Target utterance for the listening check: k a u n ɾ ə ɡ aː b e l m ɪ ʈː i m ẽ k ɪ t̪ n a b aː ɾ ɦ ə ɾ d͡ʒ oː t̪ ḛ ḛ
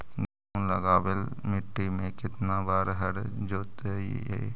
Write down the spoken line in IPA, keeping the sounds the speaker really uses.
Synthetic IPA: ɡ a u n l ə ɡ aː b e l m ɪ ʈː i m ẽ k ɪ t̪ n a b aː ɾ ɦ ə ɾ d͡ʒ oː t̪ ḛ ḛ